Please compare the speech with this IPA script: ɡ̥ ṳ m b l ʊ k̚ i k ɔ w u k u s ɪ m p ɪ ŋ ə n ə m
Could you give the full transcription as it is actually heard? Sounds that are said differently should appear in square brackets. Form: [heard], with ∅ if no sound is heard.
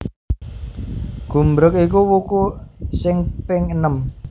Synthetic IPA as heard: ɡ̥ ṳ m b [ɾ] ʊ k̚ i k [u] w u k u s ɪ [ŋ] p ɪ ŋ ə n ə m